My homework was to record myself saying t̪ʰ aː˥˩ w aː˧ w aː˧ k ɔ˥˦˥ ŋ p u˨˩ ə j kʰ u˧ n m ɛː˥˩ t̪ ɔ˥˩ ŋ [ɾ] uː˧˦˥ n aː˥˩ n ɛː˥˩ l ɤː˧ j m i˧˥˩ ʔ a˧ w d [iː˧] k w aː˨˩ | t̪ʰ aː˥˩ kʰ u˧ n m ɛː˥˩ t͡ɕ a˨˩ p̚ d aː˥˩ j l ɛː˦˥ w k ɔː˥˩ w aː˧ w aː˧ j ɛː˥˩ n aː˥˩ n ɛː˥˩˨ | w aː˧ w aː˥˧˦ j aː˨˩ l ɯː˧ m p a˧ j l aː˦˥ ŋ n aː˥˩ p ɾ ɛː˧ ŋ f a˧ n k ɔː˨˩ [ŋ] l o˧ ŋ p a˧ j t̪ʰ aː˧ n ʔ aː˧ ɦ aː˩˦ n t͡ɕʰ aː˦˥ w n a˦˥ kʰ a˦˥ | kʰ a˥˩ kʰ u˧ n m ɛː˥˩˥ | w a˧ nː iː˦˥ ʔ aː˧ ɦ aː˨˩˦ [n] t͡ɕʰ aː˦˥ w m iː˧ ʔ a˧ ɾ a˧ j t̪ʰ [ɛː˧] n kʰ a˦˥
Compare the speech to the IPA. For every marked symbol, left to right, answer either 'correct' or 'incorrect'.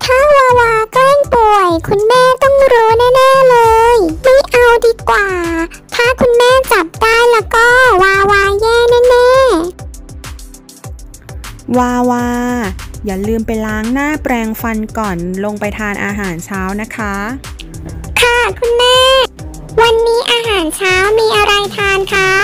correct, correct, incorrect, correct, incorrect

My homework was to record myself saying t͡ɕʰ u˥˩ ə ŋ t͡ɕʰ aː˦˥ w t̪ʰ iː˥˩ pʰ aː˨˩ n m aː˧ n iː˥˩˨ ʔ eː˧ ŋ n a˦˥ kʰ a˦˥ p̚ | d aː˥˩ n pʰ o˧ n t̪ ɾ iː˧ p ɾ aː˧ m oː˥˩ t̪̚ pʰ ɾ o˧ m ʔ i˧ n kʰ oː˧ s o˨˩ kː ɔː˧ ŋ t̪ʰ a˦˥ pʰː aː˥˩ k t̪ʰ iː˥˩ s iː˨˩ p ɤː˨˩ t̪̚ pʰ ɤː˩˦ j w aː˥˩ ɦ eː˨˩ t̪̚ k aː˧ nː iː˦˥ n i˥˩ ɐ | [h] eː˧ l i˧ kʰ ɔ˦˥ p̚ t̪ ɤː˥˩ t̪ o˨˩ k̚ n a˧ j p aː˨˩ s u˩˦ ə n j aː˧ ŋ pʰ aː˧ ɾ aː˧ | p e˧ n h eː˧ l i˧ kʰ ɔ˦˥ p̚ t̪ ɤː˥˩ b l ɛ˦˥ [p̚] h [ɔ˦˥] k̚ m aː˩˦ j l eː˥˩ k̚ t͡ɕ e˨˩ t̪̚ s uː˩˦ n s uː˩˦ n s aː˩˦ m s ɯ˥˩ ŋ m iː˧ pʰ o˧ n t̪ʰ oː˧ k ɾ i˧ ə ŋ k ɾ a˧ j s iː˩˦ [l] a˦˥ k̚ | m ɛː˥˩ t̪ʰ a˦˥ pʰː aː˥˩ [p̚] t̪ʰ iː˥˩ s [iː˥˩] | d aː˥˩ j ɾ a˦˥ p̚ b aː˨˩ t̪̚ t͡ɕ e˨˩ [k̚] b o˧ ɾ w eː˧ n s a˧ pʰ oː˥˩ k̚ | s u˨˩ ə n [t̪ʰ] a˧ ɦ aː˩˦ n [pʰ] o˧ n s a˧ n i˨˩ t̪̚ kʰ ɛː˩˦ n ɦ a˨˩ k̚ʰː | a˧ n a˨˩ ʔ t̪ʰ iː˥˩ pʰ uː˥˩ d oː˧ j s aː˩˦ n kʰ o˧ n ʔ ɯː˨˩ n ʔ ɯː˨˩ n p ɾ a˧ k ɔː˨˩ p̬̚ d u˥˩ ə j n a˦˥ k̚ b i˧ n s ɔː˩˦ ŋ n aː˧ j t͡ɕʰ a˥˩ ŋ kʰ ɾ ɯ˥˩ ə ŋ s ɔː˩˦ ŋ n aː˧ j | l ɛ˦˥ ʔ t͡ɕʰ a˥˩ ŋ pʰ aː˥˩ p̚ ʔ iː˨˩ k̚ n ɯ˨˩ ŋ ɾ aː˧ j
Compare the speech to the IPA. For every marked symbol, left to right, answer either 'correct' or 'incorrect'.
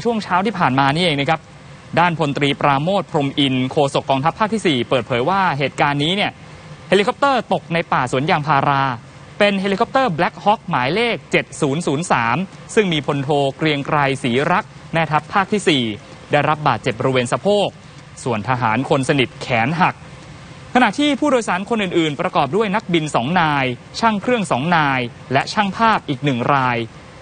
correct, incorrect, correct, incorrect, incorrect, incorrect, incorrect, correct, incorrect

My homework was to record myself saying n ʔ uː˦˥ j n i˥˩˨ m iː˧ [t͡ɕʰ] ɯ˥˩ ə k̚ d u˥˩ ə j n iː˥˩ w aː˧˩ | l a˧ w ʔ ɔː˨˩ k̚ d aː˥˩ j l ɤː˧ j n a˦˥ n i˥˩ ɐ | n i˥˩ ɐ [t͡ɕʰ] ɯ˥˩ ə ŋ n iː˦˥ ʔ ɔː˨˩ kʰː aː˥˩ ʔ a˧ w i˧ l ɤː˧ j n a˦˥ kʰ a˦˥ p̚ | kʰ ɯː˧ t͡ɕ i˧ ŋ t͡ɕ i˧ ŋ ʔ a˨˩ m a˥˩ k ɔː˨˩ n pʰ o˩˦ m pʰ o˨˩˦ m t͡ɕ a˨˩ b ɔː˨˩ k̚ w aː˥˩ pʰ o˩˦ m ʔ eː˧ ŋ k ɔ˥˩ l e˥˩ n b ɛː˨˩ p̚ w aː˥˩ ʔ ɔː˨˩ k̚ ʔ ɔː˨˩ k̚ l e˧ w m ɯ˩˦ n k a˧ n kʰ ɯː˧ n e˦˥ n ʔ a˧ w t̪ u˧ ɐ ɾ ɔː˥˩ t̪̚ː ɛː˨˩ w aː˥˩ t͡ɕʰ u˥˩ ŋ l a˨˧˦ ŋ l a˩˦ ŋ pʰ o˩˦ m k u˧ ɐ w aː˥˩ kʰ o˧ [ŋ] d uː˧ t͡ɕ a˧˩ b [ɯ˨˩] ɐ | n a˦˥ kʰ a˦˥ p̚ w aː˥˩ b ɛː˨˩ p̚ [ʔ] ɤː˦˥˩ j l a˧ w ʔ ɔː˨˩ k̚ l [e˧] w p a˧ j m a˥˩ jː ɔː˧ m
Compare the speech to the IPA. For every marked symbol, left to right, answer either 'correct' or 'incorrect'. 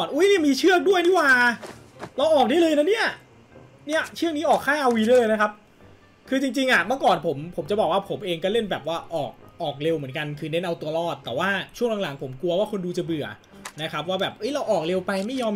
correct, correct, incorrect, correct, correct, correct

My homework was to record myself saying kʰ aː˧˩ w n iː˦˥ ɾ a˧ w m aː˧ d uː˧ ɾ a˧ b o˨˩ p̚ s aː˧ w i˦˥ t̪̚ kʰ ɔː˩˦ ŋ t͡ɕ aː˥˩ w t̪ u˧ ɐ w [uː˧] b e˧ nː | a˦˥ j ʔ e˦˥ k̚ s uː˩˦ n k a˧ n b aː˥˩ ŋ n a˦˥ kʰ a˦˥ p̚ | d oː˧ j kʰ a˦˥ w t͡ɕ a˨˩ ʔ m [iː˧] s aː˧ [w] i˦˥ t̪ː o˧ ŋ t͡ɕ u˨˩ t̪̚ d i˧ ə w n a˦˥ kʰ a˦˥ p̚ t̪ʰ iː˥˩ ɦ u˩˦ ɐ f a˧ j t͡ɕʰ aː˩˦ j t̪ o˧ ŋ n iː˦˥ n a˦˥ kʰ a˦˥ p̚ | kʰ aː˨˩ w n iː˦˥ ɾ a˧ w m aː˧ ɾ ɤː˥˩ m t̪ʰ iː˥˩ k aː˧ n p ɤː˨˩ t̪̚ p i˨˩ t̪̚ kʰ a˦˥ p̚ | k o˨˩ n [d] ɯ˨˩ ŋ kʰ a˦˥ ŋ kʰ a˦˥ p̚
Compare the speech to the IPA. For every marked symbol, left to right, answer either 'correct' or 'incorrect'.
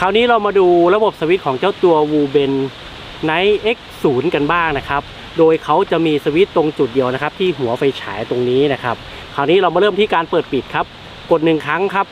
correct, correct, correct, incorrect

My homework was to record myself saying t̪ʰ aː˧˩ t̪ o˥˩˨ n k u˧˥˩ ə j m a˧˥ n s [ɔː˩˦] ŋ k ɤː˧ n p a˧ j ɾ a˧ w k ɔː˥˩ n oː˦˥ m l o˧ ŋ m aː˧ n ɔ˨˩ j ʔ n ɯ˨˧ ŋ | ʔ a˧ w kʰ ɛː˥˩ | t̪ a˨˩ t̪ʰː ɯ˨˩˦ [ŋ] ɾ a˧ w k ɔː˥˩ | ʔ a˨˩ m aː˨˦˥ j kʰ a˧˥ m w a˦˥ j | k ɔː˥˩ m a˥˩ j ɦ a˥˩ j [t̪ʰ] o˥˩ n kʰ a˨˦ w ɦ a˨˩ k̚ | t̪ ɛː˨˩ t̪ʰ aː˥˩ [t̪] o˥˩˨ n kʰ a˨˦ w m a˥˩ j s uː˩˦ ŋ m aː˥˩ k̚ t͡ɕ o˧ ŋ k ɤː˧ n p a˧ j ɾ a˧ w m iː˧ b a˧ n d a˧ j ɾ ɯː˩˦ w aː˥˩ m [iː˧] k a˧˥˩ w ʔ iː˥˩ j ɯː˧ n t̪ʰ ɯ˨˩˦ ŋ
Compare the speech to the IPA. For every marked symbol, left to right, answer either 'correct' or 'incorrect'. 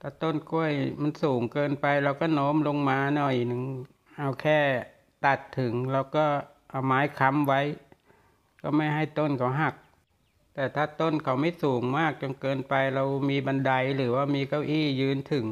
incorrect, correct, incorrect, correct, correct

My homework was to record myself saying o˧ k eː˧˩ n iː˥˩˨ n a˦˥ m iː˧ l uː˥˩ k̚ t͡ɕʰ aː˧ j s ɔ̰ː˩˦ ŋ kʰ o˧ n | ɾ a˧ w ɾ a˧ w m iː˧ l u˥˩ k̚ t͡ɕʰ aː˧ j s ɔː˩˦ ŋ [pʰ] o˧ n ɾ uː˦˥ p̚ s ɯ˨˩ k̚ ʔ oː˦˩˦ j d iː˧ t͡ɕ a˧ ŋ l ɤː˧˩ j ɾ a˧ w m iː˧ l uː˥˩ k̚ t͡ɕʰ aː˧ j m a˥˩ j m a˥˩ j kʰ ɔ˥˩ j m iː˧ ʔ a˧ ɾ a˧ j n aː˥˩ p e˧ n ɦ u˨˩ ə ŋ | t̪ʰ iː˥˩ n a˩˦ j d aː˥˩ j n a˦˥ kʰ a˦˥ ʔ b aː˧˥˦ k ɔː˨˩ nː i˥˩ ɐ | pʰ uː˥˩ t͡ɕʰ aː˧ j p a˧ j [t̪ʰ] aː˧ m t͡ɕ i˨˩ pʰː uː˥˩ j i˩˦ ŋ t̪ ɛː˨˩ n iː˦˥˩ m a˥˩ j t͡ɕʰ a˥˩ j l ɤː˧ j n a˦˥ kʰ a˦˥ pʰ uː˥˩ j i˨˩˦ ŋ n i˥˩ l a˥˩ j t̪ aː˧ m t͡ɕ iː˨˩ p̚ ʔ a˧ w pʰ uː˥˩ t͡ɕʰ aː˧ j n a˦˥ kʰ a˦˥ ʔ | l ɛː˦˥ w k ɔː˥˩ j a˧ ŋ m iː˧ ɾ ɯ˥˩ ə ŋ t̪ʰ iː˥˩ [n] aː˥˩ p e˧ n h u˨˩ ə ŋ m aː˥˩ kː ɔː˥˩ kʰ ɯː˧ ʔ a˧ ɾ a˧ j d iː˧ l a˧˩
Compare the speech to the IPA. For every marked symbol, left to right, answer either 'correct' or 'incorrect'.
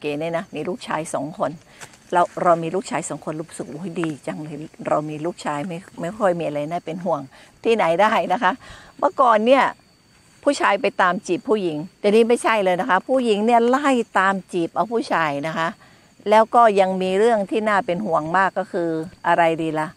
incorrect, incorrect, correct

